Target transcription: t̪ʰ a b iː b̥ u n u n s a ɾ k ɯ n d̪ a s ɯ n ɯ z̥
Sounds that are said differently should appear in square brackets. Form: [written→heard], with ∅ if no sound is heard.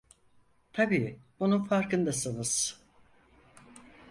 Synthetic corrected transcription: t̪ʰ a b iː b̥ u n u n [s→f] a ɾ k ɯ n d̪ a s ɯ n ɯ z̥